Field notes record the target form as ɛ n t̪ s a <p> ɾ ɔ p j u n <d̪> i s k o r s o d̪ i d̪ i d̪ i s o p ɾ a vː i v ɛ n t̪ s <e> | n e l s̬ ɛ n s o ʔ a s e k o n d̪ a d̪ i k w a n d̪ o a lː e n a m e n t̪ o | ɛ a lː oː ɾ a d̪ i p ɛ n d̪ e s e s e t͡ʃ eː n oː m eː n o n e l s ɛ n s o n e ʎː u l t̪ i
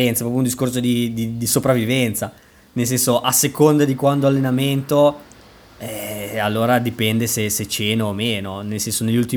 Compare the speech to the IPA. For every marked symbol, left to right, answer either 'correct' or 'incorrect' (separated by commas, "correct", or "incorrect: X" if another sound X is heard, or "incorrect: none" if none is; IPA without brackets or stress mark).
correct, correct, incorrect: a